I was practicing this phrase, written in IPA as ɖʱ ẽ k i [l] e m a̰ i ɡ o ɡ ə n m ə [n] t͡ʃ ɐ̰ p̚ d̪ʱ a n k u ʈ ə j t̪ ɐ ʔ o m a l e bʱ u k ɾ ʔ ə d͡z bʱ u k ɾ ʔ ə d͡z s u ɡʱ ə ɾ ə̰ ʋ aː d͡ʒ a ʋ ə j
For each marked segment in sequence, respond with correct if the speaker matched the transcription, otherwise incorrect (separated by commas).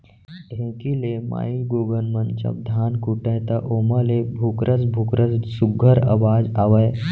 correct, correct